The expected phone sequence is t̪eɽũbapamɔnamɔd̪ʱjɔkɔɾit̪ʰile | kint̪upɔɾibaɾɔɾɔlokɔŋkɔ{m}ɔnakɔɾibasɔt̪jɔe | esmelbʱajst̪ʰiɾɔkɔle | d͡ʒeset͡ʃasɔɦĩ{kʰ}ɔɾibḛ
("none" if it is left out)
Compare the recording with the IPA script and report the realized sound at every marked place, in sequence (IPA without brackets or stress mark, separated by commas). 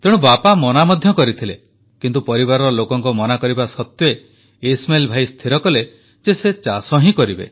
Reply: m, k